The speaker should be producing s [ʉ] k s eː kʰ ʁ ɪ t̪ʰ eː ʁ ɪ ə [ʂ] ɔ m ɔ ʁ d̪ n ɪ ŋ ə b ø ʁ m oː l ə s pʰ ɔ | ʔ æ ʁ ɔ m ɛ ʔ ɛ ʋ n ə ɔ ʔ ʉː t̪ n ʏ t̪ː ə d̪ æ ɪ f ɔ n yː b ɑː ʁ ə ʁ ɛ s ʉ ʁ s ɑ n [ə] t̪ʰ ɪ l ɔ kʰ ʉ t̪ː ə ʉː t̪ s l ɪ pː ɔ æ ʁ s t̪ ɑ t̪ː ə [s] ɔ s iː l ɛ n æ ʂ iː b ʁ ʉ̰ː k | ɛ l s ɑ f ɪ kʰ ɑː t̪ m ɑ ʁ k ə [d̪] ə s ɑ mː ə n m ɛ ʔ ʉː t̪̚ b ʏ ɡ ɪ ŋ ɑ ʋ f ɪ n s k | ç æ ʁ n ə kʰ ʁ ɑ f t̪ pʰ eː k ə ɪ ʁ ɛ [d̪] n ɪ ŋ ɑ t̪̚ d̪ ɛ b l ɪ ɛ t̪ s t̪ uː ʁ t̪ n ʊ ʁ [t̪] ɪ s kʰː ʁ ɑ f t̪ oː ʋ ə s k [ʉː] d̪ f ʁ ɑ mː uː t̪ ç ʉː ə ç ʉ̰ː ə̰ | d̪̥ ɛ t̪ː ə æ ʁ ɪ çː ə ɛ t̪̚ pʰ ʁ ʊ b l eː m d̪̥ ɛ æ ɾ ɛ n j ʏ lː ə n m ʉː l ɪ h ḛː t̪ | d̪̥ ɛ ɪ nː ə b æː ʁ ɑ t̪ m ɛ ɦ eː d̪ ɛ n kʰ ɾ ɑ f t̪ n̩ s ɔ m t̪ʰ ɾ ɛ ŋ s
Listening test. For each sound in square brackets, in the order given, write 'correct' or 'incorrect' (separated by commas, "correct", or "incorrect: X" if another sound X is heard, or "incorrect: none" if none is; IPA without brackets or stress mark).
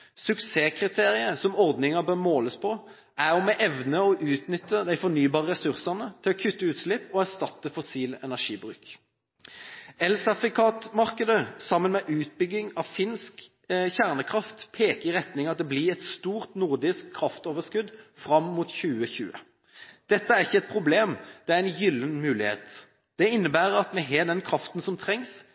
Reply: correct, incorrect: s, correct, incorrect: f, correct, incorrect: t̪, incorrect: d̪, incorrect: ʉ